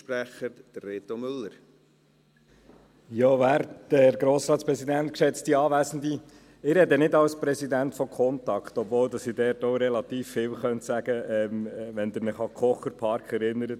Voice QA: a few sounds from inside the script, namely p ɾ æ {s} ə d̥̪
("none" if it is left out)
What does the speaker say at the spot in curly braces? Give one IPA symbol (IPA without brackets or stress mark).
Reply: χ